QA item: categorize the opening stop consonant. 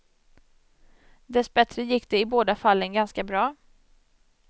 plain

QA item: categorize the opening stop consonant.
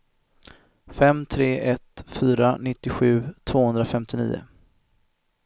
aspirated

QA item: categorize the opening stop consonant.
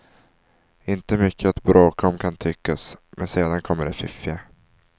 plain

